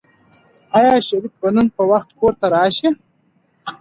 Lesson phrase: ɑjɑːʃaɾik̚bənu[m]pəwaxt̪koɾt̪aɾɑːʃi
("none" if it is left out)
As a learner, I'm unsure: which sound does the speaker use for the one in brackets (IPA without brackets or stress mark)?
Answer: n